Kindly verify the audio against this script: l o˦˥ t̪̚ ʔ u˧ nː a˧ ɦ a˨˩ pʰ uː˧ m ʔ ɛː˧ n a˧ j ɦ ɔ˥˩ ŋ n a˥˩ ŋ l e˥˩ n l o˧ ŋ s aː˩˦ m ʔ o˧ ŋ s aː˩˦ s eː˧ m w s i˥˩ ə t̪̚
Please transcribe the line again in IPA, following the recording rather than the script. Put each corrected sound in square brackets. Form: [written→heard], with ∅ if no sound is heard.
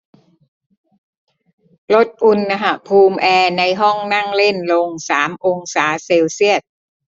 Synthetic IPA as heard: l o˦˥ t̪̚ ʔ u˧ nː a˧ ɦ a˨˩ pʰ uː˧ m ʔ ɛː˧ n a˧ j ɦ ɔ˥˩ ŋ n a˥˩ ŋ l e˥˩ n l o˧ ŋ s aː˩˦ m ʔ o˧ ŋ s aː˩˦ s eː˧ [m→∅] w s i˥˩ ə t̪̚